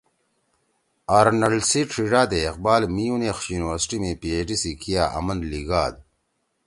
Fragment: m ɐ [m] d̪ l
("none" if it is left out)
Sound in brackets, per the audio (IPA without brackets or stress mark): n